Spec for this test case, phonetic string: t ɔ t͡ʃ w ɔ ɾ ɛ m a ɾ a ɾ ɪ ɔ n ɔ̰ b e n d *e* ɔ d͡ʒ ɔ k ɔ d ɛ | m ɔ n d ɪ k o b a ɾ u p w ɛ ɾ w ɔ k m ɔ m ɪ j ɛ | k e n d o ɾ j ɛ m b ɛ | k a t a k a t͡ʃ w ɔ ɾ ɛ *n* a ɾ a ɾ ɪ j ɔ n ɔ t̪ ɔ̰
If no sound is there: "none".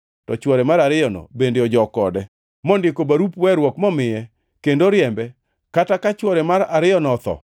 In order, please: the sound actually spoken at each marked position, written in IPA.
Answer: e, m

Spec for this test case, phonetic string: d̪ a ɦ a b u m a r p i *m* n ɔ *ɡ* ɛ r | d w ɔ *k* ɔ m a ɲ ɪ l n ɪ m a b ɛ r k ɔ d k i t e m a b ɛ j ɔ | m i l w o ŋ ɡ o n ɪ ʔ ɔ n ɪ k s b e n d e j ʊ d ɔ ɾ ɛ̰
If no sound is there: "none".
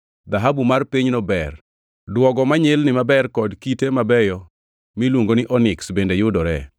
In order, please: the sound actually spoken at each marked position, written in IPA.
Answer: ɲ, b, ɡ

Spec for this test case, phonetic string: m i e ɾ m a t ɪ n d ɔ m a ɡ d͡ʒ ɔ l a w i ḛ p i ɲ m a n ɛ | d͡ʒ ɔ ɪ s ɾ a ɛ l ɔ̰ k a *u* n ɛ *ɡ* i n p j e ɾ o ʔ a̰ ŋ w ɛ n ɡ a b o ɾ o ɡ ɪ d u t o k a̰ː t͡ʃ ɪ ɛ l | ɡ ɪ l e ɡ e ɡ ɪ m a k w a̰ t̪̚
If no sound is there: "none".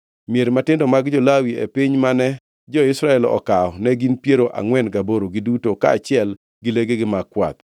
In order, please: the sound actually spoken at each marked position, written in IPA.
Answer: ɔ, ɡ

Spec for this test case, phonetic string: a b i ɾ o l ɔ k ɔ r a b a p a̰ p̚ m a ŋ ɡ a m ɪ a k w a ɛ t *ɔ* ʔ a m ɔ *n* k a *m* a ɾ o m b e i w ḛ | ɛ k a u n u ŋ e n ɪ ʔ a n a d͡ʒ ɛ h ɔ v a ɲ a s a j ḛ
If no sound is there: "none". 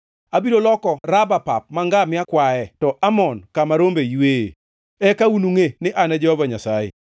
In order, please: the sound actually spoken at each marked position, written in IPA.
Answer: ɔ, n, m

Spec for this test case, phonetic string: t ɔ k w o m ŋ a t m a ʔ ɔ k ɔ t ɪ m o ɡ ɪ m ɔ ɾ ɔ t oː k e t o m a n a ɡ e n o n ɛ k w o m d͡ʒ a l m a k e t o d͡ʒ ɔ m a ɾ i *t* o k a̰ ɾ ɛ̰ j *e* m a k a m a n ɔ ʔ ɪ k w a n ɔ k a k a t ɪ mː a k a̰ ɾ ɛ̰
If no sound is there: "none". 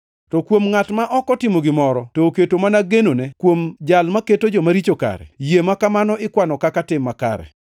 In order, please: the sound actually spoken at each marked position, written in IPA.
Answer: t͡ʃ, e

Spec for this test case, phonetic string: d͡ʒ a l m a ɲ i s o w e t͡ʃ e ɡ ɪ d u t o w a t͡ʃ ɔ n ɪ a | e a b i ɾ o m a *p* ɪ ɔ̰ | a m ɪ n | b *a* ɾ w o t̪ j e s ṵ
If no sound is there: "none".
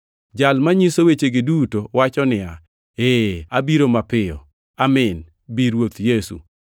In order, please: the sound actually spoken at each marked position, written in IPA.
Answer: p, i

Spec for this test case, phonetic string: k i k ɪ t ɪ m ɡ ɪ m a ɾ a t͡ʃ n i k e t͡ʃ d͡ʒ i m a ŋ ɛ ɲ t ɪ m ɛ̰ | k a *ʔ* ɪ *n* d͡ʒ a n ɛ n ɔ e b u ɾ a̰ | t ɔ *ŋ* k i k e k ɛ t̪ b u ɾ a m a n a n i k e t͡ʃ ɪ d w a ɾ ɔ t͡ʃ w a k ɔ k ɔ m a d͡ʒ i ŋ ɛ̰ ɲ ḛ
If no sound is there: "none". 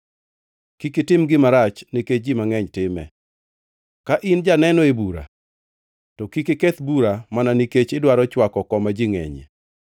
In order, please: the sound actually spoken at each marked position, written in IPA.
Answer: ʔ, n, none

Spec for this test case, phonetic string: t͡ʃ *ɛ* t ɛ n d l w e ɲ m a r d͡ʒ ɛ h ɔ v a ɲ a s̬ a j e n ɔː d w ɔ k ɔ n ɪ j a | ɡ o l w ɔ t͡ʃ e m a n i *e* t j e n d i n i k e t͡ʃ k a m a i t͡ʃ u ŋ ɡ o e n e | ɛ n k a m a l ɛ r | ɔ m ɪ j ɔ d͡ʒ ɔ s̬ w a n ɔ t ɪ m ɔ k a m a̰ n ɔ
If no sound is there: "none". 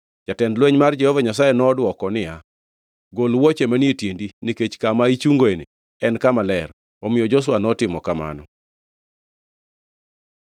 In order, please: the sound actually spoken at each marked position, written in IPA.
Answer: a, e

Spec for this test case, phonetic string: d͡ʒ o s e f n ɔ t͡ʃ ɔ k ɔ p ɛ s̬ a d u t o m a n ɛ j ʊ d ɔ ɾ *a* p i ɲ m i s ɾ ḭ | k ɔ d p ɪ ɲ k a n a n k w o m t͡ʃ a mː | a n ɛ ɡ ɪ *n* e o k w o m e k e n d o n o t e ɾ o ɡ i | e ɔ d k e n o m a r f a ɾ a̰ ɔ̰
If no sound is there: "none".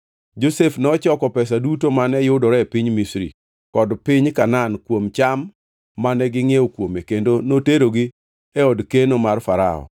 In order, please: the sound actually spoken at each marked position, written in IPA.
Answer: ɛ, ŋ

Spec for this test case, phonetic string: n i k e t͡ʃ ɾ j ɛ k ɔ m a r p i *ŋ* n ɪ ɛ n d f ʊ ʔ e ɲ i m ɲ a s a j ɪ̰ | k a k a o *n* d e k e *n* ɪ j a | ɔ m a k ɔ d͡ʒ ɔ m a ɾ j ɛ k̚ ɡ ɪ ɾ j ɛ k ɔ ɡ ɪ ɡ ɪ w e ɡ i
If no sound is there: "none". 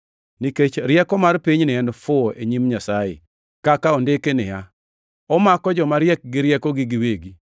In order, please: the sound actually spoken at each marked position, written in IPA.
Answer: ɲ, n, n

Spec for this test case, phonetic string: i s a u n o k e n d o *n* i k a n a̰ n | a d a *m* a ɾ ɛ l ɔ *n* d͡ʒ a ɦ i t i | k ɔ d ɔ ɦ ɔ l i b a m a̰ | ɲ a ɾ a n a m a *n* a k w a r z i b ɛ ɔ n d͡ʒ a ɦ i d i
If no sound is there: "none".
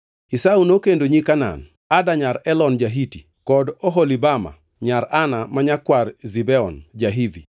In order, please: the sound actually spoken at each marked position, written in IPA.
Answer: ɲ, ɲ, n, ɲ

